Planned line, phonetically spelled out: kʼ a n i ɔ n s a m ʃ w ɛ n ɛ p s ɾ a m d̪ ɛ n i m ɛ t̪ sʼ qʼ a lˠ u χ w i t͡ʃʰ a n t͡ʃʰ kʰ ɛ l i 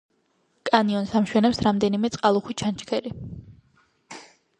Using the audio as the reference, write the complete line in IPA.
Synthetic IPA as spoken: kʼ a n i ɔ n s a m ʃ w ɛ n ɛ p s ɾ a m d̪ ɛ n i m ɛ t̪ sʼ qʼ a lˠ u χ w i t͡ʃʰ a n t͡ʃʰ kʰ ɛ l i